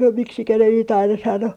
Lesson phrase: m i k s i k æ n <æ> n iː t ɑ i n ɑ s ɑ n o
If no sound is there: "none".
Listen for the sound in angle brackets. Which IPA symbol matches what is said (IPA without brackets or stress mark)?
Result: e